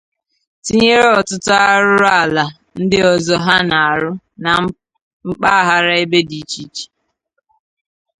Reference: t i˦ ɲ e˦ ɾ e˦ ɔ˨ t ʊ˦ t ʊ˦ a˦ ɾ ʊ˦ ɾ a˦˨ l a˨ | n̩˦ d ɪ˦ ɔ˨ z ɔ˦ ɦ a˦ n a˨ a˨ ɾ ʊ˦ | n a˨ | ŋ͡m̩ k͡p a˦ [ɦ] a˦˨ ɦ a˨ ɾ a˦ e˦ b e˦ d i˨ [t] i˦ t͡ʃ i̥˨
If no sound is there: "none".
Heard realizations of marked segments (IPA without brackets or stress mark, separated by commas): none, t͡ʃ